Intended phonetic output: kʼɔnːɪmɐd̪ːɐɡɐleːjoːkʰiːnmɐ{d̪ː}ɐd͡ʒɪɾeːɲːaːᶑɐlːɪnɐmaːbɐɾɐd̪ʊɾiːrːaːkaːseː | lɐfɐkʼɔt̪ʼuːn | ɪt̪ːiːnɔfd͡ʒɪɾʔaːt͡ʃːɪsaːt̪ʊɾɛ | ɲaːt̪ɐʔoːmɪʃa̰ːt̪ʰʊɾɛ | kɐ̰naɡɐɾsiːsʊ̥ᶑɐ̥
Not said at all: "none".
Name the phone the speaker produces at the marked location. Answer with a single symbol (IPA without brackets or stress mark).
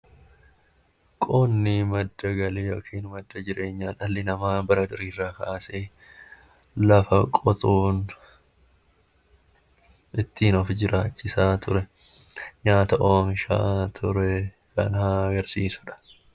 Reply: d̪ː